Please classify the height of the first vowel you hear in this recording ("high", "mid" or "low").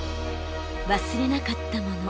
low